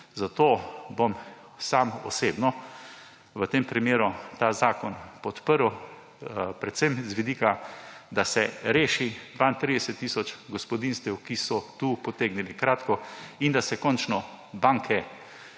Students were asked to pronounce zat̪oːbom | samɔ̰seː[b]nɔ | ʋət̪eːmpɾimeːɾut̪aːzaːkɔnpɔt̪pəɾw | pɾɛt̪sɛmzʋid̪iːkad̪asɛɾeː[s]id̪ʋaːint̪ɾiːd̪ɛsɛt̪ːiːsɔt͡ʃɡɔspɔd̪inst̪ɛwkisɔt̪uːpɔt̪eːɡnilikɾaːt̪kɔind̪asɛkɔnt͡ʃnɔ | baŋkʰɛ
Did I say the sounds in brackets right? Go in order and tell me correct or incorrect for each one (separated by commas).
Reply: correct, incorrect